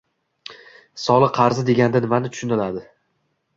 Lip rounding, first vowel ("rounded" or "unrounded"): rounded